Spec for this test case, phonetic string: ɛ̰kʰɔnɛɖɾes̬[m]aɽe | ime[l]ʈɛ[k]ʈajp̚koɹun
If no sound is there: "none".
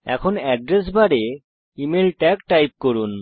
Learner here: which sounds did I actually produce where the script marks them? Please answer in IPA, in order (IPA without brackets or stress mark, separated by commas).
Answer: b, l, k